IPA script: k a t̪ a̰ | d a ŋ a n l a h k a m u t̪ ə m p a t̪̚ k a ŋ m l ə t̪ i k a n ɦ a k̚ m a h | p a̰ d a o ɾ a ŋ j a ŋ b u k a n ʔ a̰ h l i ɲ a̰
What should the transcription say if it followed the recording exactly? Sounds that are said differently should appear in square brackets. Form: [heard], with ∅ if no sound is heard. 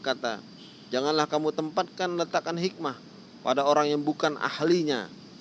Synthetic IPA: k a t̪ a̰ | [d͡ʒ] a ŋ a n l a h k a m u t̪ ə m p a t̪̚ k a [n] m l ə t̪ [a] k a n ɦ [i] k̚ m a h | p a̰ d a o ɾ a ŋ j a ŋ b u k a n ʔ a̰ h l i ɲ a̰